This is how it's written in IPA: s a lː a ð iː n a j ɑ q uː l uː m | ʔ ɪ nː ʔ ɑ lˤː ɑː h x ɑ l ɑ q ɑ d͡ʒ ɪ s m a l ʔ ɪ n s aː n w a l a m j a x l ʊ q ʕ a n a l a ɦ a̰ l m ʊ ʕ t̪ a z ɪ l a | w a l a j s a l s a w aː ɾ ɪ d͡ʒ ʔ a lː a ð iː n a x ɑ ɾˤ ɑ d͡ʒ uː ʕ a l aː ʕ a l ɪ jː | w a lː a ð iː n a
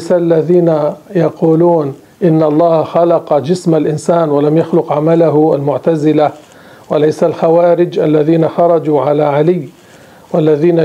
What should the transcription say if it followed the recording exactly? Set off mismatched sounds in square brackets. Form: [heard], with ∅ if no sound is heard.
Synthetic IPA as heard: s a lː a ð iː n a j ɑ q uː l uː [n] | ʔ ɪ nː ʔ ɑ lˤː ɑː h x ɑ l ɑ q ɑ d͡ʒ ɪ s m a l ʔ ɪ n s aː n w a l a m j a x l ʊ q ʕ a [m] a l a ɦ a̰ l m ʊ ʕ t̪ a z ɪ l a | w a l a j s a l [x] a w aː ɾ ɪ d͡ʒ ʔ a lː a ð iː n a x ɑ ɾˤ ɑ d͡ʒ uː ʕ a l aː ʕ a l ɪ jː | w a lː a ð iː n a